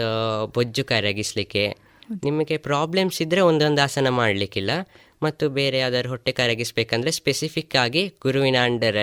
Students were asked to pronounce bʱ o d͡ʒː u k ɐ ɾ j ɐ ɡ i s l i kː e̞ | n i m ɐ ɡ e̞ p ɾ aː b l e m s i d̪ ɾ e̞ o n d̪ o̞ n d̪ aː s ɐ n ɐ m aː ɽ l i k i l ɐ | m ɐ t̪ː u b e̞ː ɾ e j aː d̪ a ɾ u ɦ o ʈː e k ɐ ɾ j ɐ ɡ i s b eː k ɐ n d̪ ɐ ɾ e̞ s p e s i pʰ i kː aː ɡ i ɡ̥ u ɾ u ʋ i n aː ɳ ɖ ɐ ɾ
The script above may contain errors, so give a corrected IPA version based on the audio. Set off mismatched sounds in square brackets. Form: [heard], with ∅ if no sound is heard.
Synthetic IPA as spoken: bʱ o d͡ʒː u k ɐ ɾ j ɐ ɡ i s l i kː e̞ | n i m ɐ ɡ e̞ p ɾ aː b l e m s i d̪ ɾ e̞ o n d̪ o̞ n d̪ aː s ɐ n ɐ m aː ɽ l i k i [lː] ɐ | m ɐ t̪ː u b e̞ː ɾ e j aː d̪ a ɾ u ɦ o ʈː e k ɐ ɾ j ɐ ɡ i s b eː k ɐ n d̪ ɐ ɾ e̞ s p e s i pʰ i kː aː ɡ i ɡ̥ u ɾ u ʋ i n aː ɳ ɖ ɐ ɾ